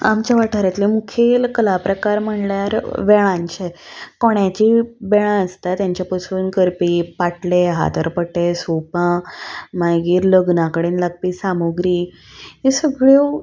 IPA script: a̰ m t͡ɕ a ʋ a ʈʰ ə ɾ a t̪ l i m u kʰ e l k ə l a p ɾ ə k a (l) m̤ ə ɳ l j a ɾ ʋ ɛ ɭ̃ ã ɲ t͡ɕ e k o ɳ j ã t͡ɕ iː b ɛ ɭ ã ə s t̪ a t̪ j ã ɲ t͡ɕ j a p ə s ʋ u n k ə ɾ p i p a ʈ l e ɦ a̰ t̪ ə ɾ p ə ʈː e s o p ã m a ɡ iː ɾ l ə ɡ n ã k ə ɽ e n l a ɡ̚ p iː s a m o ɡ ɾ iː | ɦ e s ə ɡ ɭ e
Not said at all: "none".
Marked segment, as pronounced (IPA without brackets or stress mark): ɾ